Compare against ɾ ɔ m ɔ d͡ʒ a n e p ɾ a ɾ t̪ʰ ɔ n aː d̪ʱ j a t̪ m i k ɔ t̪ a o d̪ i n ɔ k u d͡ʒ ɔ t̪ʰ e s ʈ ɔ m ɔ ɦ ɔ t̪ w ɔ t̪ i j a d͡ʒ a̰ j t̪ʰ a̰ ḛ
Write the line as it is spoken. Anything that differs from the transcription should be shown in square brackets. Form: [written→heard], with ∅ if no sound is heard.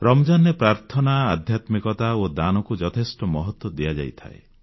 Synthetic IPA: ɾ ɔ m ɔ d͡ʒ a n e p ɾ a ɾ t̪ʰ ɔ n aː d̪ʱ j a t̪ m i k ɔ t̪ a o d̪ [i→a] n ɔ k u d͡ʒ ɔ t̪ʰ e s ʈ ɔ m ɔ ɦ ɔ t̪ w ɔ [t̪→d̪] i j a d͡ʒ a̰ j t̪ʰ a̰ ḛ